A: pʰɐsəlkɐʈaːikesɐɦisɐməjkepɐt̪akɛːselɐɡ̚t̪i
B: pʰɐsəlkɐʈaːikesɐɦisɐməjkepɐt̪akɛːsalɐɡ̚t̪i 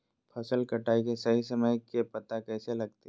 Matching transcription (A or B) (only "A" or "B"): A